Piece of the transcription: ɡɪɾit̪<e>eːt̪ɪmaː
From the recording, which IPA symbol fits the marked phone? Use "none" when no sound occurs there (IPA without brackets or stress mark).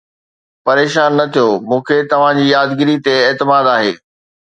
e